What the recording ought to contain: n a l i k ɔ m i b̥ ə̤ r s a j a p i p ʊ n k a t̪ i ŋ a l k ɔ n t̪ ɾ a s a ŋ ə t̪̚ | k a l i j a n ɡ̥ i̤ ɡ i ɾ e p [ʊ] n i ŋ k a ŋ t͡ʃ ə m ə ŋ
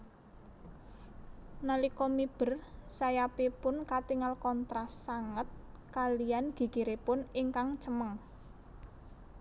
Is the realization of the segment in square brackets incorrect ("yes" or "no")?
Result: no